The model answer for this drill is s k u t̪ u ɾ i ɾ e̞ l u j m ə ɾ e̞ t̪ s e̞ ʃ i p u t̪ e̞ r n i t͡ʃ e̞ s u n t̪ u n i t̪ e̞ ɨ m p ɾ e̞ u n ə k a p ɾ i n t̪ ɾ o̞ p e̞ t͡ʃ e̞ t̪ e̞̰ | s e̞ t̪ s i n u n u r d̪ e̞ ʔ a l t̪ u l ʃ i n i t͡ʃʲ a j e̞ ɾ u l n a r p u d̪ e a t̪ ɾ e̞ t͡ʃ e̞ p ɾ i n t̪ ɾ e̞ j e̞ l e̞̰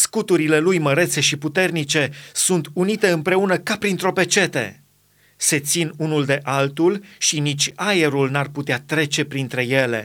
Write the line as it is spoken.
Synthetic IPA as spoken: s k u t̪ u ɾ i l e̞ l u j m ə ɾ e̞ t̪ s e̞ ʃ i p u t̪ e̞ r n i t͡ʃ e̞ s u n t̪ u n i t̪ e̞ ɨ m p ɾ e̞ u n ə k a p ɾ i n t̪ ɾ o̞ p e̞ t͡ʃ e̞ t̪ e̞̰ | s e̞ t̪ s i n u n u l d̪ e̞ ʔ a l t̪ u l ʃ i n i t͡ʃʲ a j e̞ ɾ u l n a r p u t̪ e a t̪ ɾ e̞ t͡ʃ e̞ p ɾ i n t̪ ɾ e̞ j e̞ l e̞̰